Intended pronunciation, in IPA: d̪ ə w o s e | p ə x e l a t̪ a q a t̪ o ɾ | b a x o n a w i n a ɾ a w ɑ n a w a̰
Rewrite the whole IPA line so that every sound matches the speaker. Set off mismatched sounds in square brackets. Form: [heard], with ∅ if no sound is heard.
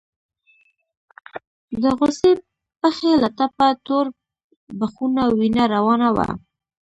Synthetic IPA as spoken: d̪ ə [ɣ] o s e | p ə x e l a t̪ a [p] a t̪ o ɾ | b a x [u] n a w i n a ɾ a w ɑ n a w a̰